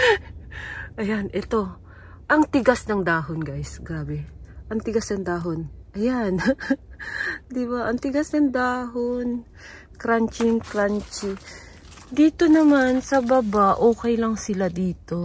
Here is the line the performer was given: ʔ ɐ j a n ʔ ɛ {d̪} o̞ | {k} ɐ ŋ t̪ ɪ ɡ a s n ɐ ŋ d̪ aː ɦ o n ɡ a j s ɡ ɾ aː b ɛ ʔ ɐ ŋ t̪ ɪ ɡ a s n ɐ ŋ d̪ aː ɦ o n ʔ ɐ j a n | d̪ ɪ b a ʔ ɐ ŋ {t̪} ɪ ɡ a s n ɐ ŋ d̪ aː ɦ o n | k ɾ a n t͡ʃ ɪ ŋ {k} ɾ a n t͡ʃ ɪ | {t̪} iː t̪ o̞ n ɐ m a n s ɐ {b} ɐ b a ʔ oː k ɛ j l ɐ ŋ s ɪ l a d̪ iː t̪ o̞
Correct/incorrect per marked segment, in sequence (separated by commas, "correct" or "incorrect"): incorrect, incorrect, correct, correct, incorrect, correct